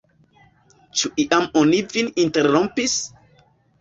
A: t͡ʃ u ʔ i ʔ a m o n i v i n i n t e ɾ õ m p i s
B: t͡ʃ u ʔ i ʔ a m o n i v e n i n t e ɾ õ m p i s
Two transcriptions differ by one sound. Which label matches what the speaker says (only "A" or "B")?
A